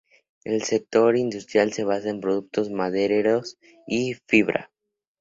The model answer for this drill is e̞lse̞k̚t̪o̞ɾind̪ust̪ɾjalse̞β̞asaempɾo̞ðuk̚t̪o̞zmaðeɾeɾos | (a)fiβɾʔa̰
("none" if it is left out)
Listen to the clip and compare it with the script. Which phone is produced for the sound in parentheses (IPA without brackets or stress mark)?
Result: i